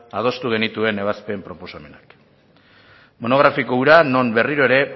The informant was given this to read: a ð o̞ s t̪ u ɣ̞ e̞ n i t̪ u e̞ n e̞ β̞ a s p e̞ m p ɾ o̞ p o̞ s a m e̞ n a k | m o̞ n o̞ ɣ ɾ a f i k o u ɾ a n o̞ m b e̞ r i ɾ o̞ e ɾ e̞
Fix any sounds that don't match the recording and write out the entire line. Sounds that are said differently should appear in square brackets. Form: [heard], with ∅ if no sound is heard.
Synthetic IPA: a ð o̞ s t̪ u ɣ̞ e̞ n i t̪ u e̞ n e̞ β̞ a s p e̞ m p ɾ o̞ p o̞ s a m e̞ n a k | m o̞ n o̞ ɣ ɾ a f i k o u ɾ a n o̞ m b e̞ r i ɾ o̞ e ɾ e̞